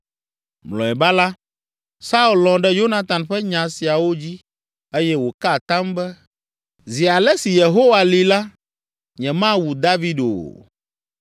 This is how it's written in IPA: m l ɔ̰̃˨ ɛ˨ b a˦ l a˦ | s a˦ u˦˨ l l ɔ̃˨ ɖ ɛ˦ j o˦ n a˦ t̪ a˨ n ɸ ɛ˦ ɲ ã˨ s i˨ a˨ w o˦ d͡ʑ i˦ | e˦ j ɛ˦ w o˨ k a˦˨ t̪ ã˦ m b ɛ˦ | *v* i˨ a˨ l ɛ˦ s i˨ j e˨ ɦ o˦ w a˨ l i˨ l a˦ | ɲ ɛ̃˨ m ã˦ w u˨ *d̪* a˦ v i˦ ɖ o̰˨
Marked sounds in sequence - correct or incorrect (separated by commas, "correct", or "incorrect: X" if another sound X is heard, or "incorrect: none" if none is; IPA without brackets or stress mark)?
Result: incorrect: z, correct